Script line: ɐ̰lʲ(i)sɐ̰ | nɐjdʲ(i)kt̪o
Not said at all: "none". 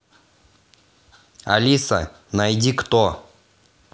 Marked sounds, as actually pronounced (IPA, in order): i, i

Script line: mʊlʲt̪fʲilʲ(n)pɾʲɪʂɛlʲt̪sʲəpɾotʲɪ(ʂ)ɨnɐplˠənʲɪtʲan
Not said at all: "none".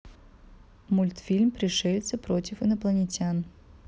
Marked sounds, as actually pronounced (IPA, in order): m, f

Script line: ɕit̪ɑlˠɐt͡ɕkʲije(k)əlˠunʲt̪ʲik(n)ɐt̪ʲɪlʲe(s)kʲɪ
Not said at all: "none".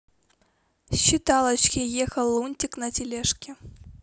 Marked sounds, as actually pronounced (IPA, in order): x, n, ʂ

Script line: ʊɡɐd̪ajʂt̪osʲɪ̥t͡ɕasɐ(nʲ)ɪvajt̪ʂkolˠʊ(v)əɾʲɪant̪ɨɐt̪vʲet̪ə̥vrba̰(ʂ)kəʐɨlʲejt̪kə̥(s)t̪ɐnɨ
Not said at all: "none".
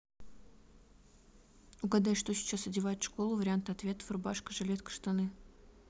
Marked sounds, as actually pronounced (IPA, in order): dʲ, v, ʂ, ʂ

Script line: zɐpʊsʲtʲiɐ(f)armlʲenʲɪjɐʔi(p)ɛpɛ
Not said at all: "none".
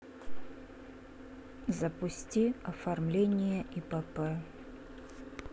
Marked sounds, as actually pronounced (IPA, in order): f, p

